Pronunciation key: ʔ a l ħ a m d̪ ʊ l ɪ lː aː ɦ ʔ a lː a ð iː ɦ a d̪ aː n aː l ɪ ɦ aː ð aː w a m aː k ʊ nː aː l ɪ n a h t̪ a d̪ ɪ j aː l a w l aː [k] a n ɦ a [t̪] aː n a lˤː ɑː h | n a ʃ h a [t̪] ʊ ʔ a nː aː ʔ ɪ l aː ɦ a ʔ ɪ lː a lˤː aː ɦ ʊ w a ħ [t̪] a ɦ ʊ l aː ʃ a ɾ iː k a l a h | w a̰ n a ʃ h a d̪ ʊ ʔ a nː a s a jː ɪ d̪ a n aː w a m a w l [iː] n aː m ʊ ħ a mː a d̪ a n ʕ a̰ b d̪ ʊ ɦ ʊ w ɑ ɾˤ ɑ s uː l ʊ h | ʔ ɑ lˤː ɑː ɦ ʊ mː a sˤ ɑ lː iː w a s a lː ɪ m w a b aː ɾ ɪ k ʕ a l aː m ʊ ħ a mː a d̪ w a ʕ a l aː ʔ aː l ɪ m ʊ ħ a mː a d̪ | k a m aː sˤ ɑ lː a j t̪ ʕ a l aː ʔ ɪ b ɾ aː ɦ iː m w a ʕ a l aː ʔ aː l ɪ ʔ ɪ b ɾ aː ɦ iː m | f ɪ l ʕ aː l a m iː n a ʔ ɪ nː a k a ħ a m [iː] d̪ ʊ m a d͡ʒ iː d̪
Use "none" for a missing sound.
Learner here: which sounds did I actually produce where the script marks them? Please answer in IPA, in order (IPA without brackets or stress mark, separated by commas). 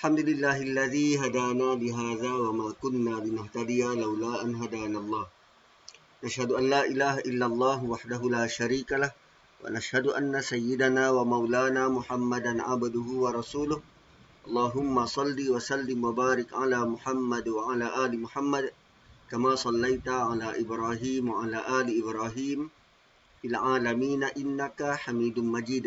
ʔ, d̪, d̪, d̪, aː, iː